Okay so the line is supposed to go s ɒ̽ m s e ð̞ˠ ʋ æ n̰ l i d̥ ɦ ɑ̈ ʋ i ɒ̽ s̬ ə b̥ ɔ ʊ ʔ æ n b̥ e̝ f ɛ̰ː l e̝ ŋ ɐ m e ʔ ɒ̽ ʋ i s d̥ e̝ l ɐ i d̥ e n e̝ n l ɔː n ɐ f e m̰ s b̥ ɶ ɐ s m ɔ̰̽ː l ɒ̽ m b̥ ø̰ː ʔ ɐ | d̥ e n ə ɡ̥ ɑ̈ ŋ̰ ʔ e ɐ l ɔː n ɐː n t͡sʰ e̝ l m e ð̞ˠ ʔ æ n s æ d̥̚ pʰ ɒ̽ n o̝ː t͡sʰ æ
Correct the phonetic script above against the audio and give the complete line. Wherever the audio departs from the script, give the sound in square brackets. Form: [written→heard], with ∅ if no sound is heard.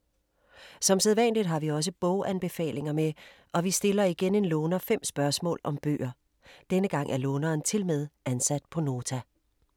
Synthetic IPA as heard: s ɒ̽ m s e ð̞ˠ ʋ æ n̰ l i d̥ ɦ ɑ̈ ʋ i ɒ̽ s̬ ə b̥ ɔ ʊ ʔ æ n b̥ e̝ f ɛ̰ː l e̝ ŋ ɐ m e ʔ ɒ̽ ʋ i s d̥ e̝ l ɐ i [d̥→ɡ̥] e n e̝ n l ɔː n ɐ f e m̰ s b̥ ɶ ɐ s m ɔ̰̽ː l ɒ̽ m b̥ ø̰ː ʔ ɐ | d̥ e n ə ɡ̥ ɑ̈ ŋ̰ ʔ [e→æ] ɐ l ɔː n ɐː n t͡sʰ e̝ l m e ð̞ˠ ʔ æ n s æ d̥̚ pʰ ɒ̽ n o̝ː t͡sʰ æ